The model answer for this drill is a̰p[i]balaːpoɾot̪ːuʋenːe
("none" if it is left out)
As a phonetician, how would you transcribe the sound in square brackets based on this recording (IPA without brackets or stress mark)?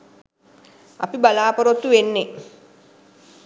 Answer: i